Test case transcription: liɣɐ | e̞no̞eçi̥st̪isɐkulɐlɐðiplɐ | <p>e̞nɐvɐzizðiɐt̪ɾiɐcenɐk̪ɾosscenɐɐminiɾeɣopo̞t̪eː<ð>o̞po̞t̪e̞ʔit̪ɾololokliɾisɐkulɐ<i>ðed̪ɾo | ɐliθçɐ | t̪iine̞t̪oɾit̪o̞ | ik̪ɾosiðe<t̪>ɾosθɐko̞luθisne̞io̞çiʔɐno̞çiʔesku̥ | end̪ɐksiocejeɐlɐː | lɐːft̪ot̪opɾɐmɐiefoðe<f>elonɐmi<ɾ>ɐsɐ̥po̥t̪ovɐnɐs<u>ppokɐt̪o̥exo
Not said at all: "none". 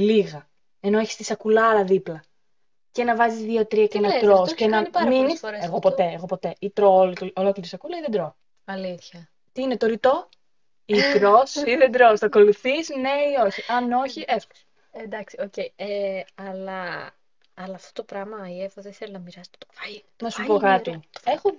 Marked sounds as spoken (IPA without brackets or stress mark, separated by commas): c, ɣ, i, d̪, θ, ɾ, u